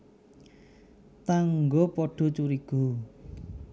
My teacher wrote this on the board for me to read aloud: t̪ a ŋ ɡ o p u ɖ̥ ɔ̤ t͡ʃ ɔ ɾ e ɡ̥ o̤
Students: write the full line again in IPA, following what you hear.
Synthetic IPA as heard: t̪ a ŋ ɡ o p ɔ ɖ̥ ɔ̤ t͡ʃ u ɾ i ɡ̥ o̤